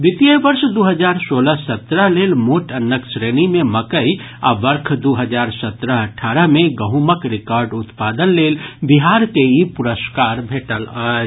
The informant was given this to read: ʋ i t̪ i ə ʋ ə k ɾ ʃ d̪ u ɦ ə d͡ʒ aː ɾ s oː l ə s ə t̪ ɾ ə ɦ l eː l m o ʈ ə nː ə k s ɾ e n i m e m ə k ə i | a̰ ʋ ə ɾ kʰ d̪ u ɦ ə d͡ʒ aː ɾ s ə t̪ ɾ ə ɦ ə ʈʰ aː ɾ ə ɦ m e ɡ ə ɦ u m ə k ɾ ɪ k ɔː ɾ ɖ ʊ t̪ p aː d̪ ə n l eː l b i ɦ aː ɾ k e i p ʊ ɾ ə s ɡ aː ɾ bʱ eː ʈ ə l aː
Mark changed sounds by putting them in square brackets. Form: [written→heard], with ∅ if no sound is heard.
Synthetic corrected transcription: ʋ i t̪ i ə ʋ ə [k→∅] ɾ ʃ d̪ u ɦ ə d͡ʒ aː ɾ s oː l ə s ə t̪ ɾ ə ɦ l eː l m o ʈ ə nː ə k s ɾ e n i m e m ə k ə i | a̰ ʋ ə ɾ kʰ d̪ u ɦ ə d͡ʒ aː ɾ s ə t̪ ɾ ə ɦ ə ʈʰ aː ɾ ə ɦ m e ɡ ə ɦ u m ə k ɾ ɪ k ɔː ɾ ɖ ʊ t̪ p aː d̪ ə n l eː l b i ɦ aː ɾ k e i p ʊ ɾ ə s [ɡ→k] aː ɾ bʱ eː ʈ ə l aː